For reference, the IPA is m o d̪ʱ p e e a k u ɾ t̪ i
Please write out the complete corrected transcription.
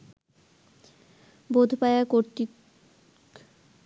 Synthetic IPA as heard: b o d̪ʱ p a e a k o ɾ t̪ i